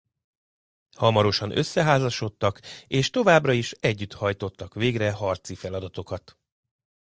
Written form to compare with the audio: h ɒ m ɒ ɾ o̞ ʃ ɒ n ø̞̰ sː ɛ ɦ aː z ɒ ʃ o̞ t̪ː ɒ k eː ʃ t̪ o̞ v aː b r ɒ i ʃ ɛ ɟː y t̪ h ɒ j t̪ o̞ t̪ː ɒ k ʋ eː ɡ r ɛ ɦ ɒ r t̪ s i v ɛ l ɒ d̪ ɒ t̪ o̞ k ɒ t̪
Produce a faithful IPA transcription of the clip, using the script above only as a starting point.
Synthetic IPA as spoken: h ɒ m ɒ ɾ o̞ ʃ ɒ n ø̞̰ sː ɛ ɦ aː z ɒ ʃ o̞ t̪ː ɒ k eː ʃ t̪ o̞ v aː b r ɒ i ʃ ɛ ɟː y t̪ h ɒ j t̪ o̞ t̪ː ɒ k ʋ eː ɡ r ɛ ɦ ɒ r t̪ s i f ɛ l ɒ d̪ ɒ t̪ o̞ k ɒ t̪

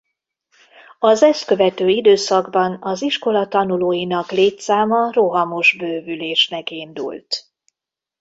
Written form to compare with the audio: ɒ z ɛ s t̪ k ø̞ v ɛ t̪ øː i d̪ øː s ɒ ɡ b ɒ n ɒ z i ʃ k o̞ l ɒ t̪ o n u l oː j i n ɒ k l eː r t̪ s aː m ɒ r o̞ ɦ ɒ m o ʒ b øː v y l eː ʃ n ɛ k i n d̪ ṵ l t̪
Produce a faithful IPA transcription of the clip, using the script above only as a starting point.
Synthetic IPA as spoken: ɒ z ɛ s t̪ k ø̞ v ɛ t̪ øː i d̪ øː s ɒ ɡ b ɒ n ɒ z i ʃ k o̞ l ɒ t̪ ɒ n u l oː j i n ɒ k l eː t̪ s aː m ɒ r o̞ ɦ ɒ m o ʒ b øː v y l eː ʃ n ɛ k i n d̪ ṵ l t̪

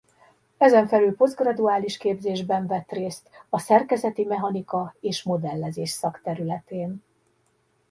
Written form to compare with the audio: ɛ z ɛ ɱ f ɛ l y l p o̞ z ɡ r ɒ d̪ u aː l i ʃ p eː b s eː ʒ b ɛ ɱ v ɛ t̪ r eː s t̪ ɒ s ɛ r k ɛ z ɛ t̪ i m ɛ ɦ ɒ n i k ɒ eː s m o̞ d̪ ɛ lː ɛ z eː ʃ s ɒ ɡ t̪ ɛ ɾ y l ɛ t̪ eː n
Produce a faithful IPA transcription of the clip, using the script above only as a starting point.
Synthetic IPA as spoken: ɛ z ɛ ɱ f ɛ l y l p o̞ z ɡ r ɒ d̪ u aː l i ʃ k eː b z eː ʒ b ɛ ɱ v ɛ t̪ r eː s t̪ ɒ s ɛ r k ɛ z ɛ t̪ i m ɛ ɦ ɒ n i k ɒ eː ʃ m o̞ d̪ ɛ lː ɛ z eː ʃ s ɒ k t̪ ɛ ɾ y l ɛ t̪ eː n

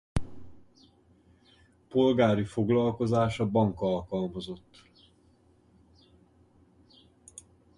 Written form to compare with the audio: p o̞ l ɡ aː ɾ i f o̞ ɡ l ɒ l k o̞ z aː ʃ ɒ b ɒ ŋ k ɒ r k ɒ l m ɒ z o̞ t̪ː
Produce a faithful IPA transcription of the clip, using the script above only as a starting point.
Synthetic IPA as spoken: p o̞ l ɡ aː ɾ i f o̞ ɡ l ɒ l k o̞ z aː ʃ ɒ b ɒ ŋ k ɒ l k ɒ l m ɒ z o̞ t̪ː

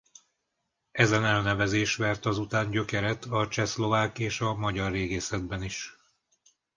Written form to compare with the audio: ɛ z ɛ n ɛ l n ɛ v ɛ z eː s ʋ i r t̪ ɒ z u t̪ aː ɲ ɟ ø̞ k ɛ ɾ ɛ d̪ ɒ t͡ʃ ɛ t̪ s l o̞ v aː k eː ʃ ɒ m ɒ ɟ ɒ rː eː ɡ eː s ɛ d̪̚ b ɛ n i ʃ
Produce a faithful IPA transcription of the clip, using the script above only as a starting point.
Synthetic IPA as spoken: ɛ z ɛ n ɛ l n ɛ v ɛ z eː ʃ ʋ ɛ r t̪ ɒ z u t̪ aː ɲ ɟ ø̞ k ɛ ɾ ɛ t̪ ɒ t͡ʃ ɛ s l o̞ v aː k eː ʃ ɒ m ɒ ɟ ɒ rː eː ɡ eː s ɛ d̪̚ b ɛ n i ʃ

